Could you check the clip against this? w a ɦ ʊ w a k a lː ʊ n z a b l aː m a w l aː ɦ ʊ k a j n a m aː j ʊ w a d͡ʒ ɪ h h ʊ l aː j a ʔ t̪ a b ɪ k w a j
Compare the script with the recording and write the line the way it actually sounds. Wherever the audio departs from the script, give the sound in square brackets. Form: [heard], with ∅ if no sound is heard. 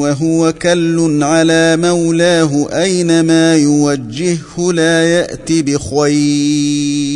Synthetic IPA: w a ɦ ʊ w a k a lː ʊ n [ʕ] a [∅] l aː m a w l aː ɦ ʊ [ʔ] a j n a m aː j ʊ w a [d͡ʒː] ɪ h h ʊ l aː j a ʔ t̪ [i] b ɪ [x] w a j